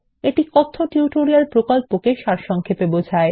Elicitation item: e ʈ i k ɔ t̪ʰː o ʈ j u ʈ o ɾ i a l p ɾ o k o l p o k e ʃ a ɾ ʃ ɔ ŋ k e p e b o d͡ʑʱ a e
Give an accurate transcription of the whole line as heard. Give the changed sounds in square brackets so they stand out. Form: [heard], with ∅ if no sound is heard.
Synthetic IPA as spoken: e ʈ i k ɔ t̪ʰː o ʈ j u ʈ o ɾ i a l p ɾ o k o l p o k e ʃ a ɾ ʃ ɔ ŋ [kʰ] e p e b o d͡ʑʱ a e